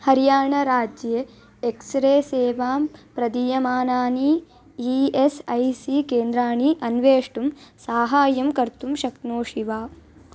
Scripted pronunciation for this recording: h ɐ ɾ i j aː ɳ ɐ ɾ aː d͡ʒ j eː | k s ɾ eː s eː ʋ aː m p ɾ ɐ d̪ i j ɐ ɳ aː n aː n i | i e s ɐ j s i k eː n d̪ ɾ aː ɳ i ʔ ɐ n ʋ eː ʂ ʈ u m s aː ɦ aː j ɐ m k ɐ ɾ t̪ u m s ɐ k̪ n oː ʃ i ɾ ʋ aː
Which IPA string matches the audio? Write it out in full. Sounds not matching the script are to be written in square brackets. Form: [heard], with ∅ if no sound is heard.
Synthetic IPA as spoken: h ɐ ɾ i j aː ɳ ɐ ɾ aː d͡ʒ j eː | k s ɾ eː s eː ʋ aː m p ɾ ɐ d̪ i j ɐ [m] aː n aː n i | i e s ɐ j s i k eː n d̪ ɾ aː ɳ i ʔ ɐ n ʋ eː ʂ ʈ u m s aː ɦ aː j ɐ m k ɐ ɾ t̪ u m [ʃ] ɐ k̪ n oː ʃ i [∅] ʋ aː